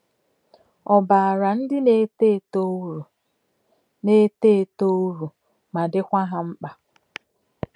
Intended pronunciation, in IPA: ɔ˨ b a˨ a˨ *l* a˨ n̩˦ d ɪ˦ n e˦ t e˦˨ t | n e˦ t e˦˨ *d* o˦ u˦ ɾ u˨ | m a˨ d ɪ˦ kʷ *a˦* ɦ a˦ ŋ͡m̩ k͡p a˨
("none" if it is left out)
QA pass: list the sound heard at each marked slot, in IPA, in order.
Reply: ɾ, t, a˦

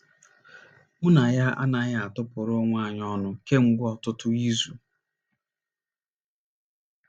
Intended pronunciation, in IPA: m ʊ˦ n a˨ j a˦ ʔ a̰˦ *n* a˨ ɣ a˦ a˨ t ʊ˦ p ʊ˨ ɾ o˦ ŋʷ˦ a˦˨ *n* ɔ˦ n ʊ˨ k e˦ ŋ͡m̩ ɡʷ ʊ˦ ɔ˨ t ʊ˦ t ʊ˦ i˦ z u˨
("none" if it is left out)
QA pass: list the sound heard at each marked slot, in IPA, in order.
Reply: n, ɲ

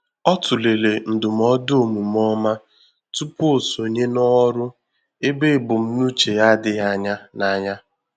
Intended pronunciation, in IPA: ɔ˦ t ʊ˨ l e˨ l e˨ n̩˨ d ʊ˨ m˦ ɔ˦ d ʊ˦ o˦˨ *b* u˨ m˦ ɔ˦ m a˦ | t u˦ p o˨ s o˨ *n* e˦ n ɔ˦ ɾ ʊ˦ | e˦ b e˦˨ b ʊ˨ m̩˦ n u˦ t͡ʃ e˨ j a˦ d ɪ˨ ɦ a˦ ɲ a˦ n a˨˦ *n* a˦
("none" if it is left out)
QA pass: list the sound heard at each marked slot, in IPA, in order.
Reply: m, ɲ, ɲ

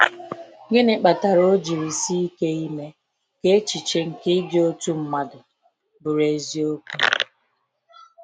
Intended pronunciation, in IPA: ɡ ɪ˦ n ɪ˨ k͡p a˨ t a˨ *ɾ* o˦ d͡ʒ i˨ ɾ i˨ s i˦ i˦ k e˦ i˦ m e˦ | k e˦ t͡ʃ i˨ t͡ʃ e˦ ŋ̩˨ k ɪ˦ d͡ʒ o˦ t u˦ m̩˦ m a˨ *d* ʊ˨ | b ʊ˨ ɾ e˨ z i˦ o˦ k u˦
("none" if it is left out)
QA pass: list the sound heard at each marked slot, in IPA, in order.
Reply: ɾ, d

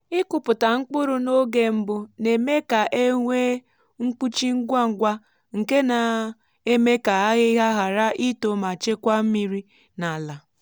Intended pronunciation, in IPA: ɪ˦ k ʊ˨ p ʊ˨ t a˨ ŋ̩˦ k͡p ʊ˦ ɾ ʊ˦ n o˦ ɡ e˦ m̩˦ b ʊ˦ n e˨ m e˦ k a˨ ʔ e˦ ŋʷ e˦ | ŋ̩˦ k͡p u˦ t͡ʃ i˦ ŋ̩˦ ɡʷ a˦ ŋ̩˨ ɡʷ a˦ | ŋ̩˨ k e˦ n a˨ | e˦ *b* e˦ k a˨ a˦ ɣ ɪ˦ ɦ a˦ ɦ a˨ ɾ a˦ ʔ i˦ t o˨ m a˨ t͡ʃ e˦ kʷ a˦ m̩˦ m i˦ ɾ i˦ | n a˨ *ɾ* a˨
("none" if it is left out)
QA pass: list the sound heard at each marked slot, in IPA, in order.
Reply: m, l

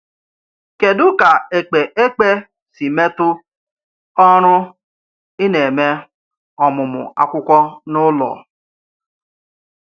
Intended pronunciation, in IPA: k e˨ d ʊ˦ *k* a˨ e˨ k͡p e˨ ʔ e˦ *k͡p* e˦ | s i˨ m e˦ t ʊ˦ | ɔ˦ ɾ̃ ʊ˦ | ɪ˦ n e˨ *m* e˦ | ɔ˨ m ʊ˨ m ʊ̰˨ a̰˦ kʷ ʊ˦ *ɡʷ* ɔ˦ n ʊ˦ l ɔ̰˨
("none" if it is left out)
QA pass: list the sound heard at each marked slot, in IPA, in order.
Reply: k, k͡p, m, kʷ

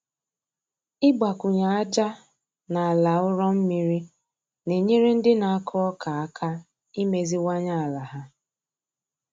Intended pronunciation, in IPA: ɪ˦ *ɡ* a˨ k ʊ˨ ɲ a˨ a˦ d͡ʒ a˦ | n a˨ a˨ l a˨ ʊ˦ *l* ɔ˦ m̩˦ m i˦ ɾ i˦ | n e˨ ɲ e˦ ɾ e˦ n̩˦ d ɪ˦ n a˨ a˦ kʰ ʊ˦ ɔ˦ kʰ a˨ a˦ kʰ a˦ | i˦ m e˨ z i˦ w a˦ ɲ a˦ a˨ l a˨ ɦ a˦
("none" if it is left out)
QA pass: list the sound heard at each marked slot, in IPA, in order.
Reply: ɡ͡b, ɾ

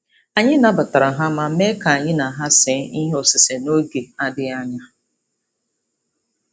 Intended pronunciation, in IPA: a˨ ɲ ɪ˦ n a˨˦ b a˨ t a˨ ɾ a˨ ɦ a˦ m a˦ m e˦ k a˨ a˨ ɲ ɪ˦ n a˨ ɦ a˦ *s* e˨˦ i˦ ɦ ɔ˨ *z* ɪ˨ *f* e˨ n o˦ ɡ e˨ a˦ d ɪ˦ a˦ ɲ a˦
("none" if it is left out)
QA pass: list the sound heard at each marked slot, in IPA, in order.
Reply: s, s, s

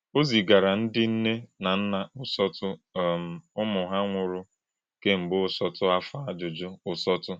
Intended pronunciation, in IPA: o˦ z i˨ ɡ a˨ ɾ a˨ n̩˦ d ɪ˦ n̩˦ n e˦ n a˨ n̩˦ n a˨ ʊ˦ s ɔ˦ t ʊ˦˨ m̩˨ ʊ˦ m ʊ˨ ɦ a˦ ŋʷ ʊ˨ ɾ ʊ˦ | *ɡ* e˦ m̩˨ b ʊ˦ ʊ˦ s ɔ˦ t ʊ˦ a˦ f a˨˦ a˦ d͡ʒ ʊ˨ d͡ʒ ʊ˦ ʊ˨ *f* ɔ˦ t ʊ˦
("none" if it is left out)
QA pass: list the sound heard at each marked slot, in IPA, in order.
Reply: k, s

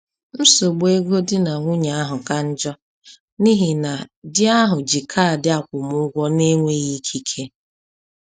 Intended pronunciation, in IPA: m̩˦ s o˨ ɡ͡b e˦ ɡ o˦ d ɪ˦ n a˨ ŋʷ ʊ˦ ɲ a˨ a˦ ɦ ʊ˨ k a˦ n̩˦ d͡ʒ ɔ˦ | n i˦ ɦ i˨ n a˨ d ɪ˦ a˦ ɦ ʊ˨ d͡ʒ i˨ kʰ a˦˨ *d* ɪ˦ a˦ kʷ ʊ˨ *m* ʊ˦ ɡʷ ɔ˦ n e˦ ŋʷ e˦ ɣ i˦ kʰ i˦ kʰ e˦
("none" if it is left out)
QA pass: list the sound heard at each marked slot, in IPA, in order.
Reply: d, m

